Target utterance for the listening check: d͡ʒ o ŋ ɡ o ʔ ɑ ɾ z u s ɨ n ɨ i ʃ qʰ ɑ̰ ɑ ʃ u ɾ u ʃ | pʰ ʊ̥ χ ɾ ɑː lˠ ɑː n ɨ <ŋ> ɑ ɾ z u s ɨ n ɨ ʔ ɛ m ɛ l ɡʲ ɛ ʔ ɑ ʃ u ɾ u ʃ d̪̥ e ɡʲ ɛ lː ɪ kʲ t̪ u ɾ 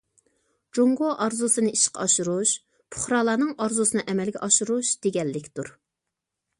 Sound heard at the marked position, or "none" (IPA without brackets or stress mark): ŋ